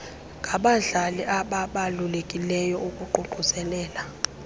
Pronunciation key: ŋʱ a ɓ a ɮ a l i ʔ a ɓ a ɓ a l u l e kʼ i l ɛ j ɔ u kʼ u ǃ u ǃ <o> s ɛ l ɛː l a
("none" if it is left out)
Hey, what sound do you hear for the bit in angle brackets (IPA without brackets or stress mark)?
u